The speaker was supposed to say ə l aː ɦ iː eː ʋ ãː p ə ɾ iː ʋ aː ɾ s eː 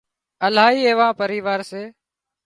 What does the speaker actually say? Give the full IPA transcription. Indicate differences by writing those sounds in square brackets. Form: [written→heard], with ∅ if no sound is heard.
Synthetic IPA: ə l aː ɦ iː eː ʋ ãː p ə ɾ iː ʋ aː ɾ s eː